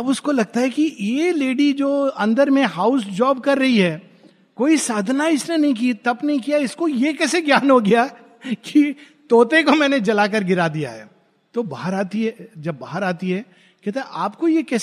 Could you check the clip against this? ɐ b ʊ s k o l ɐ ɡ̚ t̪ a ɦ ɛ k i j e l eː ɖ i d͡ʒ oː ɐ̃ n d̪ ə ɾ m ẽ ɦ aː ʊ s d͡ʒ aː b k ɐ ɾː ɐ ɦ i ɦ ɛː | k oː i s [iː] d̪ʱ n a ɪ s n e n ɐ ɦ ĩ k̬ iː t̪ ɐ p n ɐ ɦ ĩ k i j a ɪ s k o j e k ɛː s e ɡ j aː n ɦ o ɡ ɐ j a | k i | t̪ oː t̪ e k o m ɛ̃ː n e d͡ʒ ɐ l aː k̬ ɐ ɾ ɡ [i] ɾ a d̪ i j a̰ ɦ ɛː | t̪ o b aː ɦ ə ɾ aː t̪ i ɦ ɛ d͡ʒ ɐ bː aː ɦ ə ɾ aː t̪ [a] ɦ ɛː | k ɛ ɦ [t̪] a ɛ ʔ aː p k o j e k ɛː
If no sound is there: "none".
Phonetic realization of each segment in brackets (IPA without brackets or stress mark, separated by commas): aː, ɪ, i, t̪